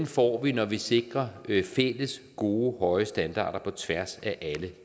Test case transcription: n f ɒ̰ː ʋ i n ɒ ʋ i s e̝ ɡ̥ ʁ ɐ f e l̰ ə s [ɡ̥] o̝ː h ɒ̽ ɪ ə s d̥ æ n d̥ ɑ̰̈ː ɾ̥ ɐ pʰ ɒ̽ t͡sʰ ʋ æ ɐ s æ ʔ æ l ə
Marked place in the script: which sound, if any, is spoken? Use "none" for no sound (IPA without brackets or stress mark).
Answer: ɡ̥